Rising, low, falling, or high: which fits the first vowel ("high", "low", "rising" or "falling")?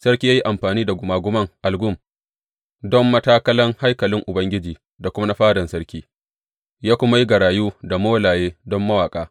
high